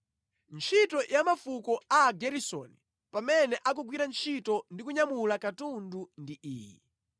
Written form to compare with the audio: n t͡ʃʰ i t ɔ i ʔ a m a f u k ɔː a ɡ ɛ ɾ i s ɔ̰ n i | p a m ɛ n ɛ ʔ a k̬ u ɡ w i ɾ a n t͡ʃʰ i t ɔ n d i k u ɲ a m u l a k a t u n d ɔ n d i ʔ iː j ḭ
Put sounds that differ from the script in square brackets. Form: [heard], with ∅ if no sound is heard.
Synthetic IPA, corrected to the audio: n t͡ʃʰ i t ɔ [j] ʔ a m a f u k [ɔ] a ɡ ɛ ɾ i s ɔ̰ n i | p a m ɛ n ɛ ʔ a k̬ u ɡ w i ɾ a n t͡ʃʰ i t ɔ n d i k u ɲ a m u l a k a t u n d [u] n d i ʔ iː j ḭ